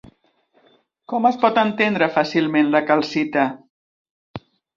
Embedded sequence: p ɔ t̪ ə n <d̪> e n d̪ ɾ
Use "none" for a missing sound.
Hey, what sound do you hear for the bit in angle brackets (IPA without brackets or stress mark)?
t̪